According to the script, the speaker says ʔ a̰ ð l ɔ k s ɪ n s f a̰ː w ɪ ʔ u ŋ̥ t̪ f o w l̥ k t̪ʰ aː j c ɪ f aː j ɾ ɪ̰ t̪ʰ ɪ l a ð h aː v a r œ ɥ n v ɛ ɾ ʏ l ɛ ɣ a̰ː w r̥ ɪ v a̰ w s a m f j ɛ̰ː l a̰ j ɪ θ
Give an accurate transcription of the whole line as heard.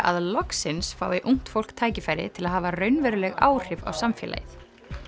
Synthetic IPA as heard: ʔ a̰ ð l ɔ k s ɪ n s f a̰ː w ɪ ʔ u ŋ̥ t̪ f o w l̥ k t̪ʰ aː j c ɪ f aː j ɾ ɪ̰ t̪ʰ ɪ l a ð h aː v a r œ ɥ n v ɛ ɾ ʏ l ɛ ɣ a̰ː w r̥ ɪ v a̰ w s a m f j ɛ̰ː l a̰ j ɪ θ

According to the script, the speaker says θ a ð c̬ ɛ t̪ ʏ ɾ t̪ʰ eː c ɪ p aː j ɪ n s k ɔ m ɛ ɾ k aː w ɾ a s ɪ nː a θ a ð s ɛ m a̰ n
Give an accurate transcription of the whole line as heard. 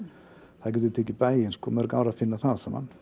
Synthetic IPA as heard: θ a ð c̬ ɛ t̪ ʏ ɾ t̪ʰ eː c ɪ p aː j ɪ n s k ɔ m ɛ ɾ k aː w ɾ a f ɪ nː a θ a ð s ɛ m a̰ n

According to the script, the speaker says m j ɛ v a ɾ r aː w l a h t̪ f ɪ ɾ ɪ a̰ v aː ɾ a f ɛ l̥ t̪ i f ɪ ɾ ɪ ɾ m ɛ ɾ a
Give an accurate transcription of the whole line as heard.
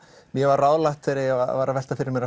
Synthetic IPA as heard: m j ɛ v a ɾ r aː w l a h t̪ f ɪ ɾ ɪ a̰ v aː ɾ a v ɛ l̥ t̪ a f ɪ ɾ ɪ ɾ m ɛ ɾ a

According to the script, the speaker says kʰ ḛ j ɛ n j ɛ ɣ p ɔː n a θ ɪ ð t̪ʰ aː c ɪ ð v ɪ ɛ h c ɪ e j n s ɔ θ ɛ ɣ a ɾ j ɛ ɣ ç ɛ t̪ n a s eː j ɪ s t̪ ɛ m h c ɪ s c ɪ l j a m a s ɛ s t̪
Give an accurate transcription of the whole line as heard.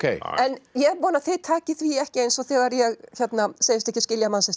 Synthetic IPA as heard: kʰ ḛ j ɛ n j ɛ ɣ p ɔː n a θ ɪ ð t̪ʰ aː c ɪ θ v i ɛ h c ɪ e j n s ɔ θ ɛ ɣ a ɾ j ɛ ɣ ç ɛ t̪ n a s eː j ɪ s t̪ ɛ h c ɪ s c ɪ l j a m a s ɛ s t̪

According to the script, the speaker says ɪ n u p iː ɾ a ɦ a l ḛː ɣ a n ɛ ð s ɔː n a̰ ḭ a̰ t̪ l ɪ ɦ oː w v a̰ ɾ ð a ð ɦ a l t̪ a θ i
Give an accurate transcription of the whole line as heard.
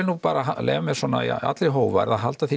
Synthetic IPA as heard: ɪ n u p aː ɾ a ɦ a l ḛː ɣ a m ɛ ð s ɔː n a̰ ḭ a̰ t̪ l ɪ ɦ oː w v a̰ ɾ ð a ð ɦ a l t̪ a θ i

